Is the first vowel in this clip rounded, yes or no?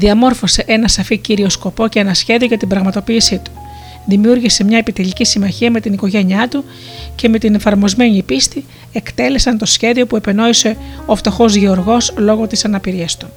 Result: no